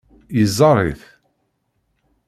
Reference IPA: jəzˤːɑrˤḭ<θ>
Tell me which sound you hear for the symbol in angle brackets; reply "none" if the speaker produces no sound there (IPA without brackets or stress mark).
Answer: θ